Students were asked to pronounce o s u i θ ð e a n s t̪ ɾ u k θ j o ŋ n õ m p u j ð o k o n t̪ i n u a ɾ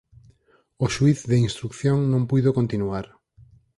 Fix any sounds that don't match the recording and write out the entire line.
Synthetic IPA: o ʃ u i θ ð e i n s t̪ ɾ u k θ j o ŋ n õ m p u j ð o k o n t̪ i n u a ɾ